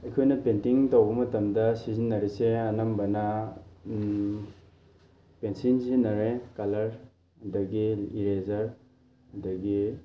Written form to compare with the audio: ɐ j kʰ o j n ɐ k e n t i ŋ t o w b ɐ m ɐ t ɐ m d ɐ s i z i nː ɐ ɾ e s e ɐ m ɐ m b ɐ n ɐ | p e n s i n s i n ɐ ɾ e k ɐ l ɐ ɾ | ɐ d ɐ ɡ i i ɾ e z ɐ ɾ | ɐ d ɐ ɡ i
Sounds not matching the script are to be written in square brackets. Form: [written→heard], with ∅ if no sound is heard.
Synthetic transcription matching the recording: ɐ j kʰ o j n ɐ [k→p] e n t i ŋ t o w b ɐ m ɐ t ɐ m d ɐ s i z i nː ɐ ɾ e s e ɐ [m→n] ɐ m b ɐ n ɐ | p e n s i n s i n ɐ ɾ e k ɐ l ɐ ɾ | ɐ d ɐ ɡ i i ɾ e z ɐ ɾ | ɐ d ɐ ɡ i